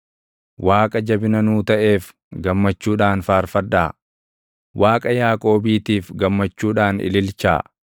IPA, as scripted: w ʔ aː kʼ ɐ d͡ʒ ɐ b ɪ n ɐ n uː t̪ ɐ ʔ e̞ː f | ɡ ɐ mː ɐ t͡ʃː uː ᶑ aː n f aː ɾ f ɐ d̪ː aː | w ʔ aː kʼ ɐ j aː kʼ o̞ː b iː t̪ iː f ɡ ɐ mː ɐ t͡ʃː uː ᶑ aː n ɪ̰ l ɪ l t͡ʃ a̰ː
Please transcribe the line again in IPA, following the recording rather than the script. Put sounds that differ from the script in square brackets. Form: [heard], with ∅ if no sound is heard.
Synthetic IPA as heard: w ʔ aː kʼ ɐ d͡ʒ ɐ b ɪ n ɐ n uː t̪ ɐ ʔ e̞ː f | ɡ ɐ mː ɐ t͡ʃː uː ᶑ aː n f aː ɾ f ɐ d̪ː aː | w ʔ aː kʼ ɐ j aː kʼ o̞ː b iː t̪ iː f ɡ ɐ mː ɐ t͡ʃː uː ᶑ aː n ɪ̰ l ɪ l t͡ʃ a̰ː